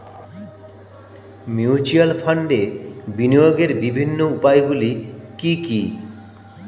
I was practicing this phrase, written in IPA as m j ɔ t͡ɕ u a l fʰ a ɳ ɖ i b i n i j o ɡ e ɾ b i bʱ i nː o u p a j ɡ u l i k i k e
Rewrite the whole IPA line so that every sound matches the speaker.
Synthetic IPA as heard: m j u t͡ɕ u a l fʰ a ɳ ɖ e b i n i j o ɡ e ɾ b i bʱ i nː o u p a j ɡ u l i k i k i